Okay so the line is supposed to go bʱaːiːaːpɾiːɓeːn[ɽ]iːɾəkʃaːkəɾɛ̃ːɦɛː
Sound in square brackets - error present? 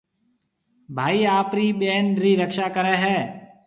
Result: yes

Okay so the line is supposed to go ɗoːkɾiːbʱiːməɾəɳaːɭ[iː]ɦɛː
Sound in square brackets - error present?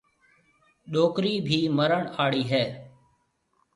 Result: no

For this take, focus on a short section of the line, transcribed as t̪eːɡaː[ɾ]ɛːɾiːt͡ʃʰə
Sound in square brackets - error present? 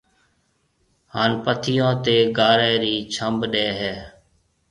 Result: no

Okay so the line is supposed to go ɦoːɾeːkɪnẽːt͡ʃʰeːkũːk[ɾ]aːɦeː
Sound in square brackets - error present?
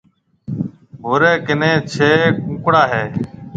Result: yes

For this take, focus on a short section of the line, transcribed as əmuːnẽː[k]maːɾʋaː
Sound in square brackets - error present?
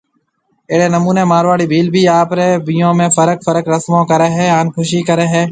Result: yes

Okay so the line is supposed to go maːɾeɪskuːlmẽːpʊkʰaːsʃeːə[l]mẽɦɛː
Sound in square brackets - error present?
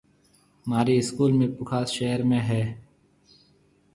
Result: yes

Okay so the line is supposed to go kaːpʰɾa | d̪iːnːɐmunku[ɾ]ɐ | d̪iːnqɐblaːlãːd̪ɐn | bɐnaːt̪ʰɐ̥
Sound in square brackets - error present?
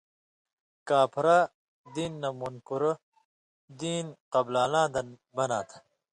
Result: no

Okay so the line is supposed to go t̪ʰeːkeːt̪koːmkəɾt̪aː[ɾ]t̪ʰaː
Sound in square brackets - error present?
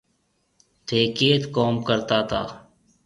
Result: yes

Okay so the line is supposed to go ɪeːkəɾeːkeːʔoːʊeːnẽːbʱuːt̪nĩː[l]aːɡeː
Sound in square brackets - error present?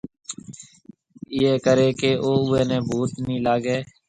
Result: no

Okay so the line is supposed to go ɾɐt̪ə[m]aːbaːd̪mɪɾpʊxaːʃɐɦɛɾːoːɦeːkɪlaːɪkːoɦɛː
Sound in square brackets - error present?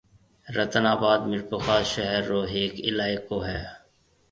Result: yes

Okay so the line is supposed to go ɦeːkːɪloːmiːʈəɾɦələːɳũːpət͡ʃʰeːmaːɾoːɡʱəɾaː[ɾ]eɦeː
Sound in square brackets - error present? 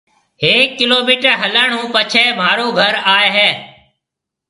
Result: yes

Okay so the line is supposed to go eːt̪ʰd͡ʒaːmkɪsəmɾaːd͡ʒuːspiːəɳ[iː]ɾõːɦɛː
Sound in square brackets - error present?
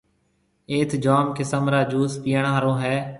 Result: yes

